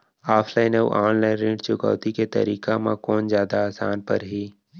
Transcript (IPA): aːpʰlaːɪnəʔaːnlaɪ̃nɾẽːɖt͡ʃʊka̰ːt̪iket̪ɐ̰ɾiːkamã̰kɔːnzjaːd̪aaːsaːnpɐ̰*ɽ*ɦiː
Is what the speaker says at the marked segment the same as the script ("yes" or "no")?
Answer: no